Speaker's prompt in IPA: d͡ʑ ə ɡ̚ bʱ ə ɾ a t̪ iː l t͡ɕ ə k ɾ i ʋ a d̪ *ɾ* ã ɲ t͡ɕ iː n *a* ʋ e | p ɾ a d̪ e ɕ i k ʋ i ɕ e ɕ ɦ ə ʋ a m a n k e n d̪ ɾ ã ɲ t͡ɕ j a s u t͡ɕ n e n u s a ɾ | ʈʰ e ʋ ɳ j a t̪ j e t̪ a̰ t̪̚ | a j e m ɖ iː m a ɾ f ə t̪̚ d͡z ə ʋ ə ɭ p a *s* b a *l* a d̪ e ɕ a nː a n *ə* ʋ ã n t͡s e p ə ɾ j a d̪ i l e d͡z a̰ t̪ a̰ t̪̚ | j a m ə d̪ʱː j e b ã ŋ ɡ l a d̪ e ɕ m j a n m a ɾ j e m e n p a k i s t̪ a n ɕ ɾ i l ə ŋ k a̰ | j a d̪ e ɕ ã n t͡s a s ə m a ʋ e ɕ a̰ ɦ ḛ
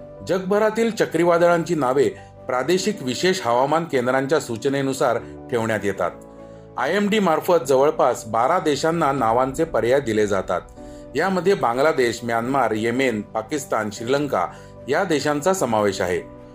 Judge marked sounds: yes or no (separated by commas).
no, yes, yes, no, no